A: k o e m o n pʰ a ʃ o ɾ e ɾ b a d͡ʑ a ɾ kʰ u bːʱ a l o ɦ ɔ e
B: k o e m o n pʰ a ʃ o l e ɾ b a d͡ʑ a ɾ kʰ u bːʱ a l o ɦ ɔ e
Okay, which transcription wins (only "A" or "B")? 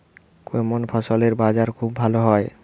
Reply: B